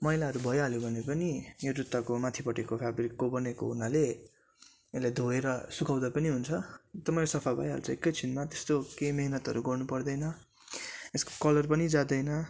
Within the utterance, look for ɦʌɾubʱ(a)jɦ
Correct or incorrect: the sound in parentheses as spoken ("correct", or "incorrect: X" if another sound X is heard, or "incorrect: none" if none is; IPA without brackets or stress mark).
incorrect: ʌ